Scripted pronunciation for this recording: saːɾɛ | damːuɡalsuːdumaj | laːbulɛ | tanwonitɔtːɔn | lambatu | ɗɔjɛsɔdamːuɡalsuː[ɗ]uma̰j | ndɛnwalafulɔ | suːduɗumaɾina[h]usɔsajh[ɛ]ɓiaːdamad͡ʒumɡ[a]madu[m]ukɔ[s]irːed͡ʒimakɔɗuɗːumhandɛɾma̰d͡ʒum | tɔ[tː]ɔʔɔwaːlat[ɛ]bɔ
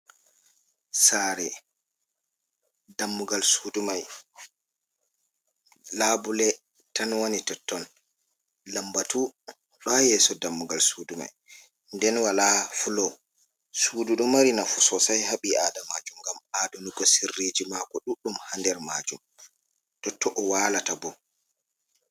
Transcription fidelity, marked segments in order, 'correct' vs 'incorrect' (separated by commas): incorrect, incorrect, incorrect, correct, incorrect, correct, correct, incorrect